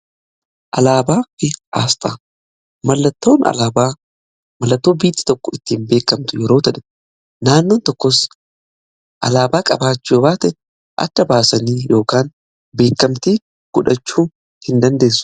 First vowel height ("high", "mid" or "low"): low